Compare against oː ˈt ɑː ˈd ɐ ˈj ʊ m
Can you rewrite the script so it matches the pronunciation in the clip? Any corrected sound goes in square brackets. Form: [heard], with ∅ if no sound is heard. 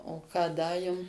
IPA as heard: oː [ˈk] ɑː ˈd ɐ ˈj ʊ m